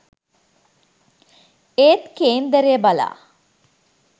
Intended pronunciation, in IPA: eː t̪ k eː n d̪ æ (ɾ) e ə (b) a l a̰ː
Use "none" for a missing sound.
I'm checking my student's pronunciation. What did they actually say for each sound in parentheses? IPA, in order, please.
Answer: ɾ, b

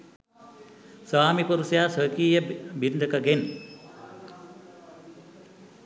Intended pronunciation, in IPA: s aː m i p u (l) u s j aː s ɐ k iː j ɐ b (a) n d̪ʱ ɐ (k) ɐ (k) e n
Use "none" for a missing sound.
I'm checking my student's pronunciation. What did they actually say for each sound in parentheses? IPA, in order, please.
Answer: ɾ, i, k, ɡ

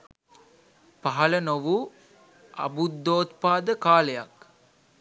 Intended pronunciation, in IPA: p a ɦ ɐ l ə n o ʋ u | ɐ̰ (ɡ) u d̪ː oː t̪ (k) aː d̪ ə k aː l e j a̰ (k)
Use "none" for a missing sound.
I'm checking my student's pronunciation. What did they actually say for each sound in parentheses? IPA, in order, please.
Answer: b, p, k

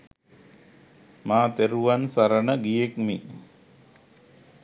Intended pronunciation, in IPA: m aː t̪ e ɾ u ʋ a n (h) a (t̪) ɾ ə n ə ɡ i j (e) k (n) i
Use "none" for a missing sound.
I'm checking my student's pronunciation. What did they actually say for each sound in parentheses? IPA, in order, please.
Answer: s, none, e, m

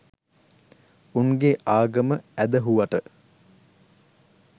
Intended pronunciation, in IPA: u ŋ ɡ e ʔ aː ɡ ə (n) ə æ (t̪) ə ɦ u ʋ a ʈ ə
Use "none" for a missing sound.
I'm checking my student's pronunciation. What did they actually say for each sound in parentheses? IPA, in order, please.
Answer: m, d̪

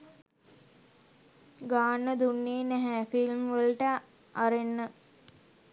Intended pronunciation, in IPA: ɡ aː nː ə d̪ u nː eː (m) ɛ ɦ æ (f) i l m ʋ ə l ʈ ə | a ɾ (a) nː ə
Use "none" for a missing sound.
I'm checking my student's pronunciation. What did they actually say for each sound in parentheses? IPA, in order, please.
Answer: n, f, e

